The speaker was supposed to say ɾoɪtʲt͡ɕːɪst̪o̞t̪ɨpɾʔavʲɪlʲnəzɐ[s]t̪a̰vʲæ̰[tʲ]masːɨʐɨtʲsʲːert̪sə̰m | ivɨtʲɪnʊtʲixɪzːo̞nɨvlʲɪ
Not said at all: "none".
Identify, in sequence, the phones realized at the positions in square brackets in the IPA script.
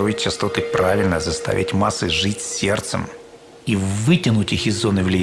s, tʲ

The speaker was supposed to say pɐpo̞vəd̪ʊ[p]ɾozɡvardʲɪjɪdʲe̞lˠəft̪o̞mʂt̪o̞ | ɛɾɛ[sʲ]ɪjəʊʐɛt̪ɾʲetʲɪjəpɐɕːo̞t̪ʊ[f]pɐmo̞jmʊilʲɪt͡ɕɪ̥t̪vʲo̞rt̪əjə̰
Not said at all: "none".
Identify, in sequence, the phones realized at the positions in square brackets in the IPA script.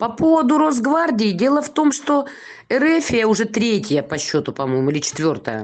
none, fʲ, none

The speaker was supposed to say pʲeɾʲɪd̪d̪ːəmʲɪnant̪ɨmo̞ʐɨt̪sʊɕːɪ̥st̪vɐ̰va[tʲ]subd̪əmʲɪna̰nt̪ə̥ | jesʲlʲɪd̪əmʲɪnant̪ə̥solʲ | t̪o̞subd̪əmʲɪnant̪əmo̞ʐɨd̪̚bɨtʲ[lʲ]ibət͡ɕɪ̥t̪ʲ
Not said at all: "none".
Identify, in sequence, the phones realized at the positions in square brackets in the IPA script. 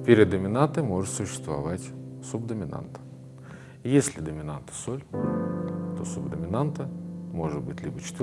tʲ, lʲ

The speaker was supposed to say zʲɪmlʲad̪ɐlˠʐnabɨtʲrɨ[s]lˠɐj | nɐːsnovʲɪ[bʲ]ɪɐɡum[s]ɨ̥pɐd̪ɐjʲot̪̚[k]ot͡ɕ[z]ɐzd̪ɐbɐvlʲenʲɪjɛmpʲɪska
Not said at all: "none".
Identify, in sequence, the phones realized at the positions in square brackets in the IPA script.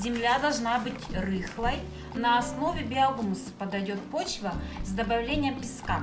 x, bʲ, s, p, v

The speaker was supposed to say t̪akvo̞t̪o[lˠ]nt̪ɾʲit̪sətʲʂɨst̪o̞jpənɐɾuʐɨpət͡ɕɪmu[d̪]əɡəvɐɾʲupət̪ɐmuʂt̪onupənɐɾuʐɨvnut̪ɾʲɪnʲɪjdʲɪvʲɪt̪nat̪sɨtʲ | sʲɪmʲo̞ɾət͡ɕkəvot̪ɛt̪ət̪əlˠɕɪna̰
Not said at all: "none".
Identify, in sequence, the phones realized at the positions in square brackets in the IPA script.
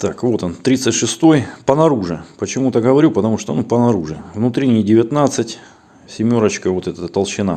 none, t̪

